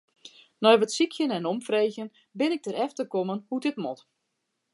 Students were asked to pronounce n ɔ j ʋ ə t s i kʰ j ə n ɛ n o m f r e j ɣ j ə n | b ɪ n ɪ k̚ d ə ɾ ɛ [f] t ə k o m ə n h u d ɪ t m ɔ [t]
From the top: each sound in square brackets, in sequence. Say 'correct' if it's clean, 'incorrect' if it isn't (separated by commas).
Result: correct, correct